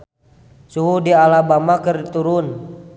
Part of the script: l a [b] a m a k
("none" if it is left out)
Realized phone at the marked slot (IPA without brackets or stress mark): b